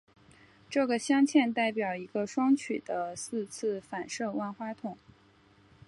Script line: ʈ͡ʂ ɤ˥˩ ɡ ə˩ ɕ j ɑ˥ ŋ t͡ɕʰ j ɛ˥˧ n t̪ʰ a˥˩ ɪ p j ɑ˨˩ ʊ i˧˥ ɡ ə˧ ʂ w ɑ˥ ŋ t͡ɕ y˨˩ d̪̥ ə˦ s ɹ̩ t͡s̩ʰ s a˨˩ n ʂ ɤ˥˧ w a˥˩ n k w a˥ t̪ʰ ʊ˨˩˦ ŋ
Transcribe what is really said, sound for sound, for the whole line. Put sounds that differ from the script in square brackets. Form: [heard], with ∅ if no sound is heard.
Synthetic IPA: ʈ͡ʂ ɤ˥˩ ɡ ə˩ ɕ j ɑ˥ ŋ t͡ɕʰ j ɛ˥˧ n [t̪] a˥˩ ɪ p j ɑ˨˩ ʊ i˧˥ ɡ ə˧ ʂ w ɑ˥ ŋ [t͡ɕʰ] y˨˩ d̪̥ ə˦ s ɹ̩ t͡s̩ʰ [f] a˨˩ n ʂ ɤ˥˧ w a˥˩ n [x] w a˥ t̪ʰ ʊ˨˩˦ ŋ